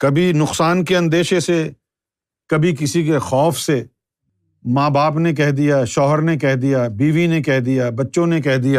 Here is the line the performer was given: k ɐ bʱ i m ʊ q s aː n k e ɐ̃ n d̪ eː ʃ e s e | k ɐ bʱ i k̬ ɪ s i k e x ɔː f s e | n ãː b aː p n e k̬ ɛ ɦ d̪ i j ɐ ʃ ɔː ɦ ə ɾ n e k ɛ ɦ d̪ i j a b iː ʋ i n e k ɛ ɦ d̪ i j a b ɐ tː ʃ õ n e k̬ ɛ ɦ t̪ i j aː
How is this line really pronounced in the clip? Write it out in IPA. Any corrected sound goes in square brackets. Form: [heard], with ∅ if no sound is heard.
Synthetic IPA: k ɐ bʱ i [n] ʊ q s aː n k e ɐ̃ n d̪ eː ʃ e s e | k ɐ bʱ i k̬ ɪ s i k e x ɔː f s e | [m] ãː b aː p n e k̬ ɛ ɦ d̪ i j [a] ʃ ɔː ɦ ə ɾ n e k ɛ ɦ d̪ i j a b iː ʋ i n e k ɛ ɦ d̪ i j a b ɐ tː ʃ õ n e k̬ ɛ ɦ [d̪] i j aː